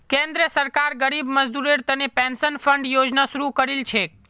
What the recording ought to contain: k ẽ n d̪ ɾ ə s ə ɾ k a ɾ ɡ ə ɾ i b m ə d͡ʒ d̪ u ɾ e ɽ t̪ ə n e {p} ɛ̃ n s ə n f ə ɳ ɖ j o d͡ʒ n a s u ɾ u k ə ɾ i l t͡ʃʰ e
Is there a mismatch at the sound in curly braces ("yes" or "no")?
no